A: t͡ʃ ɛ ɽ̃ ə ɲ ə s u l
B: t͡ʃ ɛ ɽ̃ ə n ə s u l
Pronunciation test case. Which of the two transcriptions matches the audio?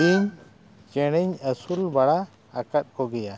A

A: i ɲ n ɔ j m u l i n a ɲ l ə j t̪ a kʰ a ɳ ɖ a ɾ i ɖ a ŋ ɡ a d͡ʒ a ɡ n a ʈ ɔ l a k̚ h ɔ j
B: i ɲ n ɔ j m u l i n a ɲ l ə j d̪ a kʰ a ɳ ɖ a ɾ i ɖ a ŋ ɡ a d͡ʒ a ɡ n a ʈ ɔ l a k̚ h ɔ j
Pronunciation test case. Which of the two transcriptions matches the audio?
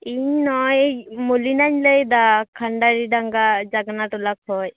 B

